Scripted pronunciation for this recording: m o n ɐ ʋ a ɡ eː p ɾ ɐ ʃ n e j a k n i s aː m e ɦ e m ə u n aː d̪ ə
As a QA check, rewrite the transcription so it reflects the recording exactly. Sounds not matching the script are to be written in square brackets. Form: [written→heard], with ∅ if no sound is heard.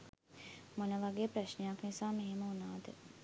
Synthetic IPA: m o n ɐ ʋ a ɡ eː p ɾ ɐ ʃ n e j a k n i s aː m e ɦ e m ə u n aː d̪ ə